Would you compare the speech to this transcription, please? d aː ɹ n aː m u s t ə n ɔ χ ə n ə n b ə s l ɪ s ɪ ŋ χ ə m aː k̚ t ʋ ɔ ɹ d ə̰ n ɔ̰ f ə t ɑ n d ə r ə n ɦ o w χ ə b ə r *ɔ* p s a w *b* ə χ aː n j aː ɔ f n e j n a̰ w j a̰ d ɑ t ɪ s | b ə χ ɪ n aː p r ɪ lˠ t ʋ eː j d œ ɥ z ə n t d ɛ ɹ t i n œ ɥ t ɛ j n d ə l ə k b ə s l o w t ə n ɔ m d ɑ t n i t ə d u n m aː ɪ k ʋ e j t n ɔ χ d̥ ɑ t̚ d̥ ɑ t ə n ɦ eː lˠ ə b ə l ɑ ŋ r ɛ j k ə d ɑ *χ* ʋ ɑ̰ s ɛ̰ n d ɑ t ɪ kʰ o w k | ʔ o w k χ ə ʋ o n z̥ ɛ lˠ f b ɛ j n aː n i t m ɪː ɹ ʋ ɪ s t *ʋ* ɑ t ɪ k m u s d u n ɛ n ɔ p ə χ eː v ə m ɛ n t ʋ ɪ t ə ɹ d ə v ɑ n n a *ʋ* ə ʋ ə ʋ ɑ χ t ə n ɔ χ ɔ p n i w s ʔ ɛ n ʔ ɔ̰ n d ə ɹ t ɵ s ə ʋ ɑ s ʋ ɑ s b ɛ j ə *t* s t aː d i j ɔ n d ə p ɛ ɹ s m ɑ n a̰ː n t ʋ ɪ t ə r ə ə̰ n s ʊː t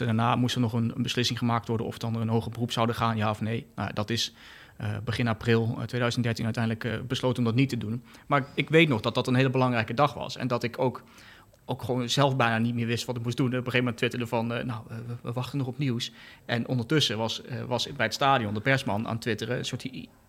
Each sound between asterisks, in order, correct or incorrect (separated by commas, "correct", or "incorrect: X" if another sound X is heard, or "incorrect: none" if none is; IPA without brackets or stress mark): incorrect: u, incorrect: d, correct, correct, incorrect: w, correct